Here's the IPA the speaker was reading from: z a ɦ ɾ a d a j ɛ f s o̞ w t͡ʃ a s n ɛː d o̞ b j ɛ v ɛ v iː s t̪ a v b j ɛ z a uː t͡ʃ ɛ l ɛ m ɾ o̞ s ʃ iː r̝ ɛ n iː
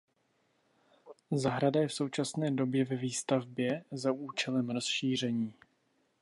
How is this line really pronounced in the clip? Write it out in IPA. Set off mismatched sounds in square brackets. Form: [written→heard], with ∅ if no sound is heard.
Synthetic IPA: z a ɦ ɾ a d a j ɛ f s o̞ w t͡ʃ a s n ɛː d o̞ b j ɛ v ɛ v iː s t̪ a v b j ɛ z a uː t͡ʃ ɛ l ɛ m ɾ o̞ s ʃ iː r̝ ɛ [n→ɲ] iː